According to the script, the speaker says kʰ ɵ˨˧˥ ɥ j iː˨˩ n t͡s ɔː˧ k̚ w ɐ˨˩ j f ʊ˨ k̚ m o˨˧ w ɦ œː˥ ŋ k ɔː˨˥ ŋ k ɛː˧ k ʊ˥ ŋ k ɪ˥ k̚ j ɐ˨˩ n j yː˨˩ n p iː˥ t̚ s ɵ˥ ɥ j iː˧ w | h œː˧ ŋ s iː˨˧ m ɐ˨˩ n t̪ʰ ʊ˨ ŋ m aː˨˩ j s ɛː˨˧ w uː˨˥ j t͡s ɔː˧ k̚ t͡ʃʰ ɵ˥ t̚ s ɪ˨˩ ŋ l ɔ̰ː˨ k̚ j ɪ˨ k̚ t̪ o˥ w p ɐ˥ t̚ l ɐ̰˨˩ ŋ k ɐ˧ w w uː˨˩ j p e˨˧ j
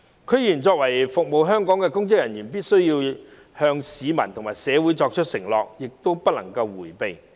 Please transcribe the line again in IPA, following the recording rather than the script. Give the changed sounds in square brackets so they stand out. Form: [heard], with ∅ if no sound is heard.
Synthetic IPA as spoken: kʰ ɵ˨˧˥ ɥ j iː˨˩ n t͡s ɔː˧ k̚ w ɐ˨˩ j f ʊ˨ k̚ m o˨˧ w ɦ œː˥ ŋ k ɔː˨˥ ŋ k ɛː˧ k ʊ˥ ŋ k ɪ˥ k̚ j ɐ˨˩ n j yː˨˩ n p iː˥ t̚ s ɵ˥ ɥ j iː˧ w | h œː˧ ŋ s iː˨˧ m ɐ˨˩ n t̪ʰ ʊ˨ ŋ m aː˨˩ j s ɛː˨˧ w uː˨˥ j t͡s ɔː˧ k̚ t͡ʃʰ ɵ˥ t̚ s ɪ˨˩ ŋ l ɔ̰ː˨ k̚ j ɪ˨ k̚ t̪ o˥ w p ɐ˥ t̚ l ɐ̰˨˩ ŋ k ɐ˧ w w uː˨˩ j p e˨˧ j